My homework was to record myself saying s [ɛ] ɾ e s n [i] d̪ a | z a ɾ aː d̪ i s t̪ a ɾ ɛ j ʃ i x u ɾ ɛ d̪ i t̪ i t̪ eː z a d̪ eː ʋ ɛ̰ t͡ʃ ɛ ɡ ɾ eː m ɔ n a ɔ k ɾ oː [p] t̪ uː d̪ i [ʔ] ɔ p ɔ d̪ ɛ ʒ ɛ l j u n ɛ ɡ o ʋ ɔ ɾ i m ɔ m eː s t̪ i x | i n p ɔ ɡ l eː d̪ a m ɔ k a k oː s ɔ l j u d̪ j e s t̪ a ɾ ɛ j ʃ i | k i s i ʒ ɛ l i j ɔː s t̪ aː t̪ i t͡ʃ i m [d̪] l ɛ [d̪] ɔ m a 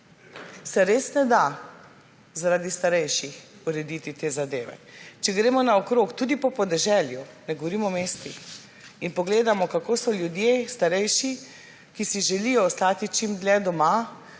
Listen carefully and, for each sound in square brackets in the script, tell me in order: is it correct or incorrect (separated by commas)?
correct, incorrect, incorrect, incorrect, correct, correct